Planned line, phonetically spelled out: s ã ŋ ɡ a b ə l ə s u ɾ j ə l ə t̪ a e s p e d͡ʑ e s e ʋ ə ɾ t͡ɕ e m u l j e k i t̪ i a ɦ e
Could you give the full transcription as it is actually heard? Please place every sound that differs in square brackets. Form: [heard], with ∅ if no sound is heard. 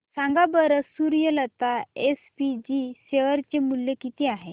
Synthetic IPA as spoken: s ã ŋ ɡ a b ə [ɾ] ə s u ɾ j ə l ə t̪ a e s p [i] d͡ʑ [i] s e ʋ ə ɾ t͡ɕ e m u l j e k i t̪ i a ɦ e